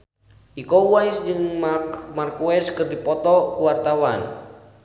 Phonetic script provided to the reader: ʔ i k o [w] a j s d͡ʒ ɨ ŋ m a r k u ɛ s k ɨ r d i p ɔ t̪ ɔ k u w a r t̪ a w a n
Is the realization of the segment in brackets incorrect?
no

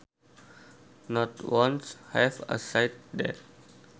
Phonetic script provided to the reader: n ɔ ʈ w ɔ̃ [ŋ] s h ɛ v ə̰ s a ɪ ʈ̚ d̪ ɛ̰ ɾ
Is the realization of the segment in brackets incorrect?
yes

